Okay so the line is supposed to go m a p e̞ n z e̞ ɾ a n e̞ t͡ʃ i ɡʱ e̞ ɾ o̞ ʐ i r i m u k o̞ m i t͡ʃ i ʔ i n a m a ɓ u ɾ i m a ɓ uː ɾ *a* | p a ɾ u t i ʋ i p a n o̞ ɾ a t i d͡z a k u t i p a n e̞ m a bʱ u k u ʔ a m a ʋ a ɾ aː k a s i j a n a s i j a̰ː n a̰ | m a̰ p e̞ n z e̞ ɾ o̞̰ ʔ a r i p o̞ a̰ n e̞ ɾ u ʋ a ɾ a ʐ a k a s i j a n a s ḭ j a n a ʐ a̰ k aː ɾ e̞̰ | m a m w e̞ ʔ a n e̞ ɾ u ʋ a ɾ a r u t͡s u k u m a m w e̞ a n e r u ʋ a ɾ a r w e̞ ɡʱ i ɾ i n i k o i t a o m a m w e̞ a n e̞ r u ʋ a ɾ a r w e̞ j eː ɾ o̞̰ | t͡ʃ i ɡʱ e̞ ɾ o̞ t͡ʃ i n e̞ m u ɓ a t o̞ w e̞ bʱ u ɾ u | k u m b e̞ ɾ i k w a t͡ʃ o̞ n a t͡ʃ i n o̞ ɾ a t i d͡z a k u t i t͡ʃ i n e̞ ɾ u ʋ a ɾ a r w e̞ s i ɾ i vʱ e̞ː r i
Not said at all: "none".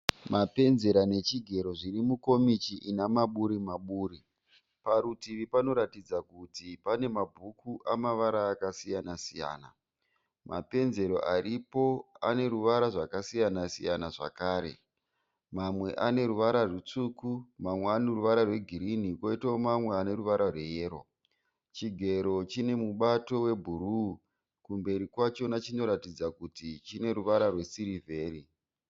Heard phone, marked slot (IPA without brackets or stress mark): i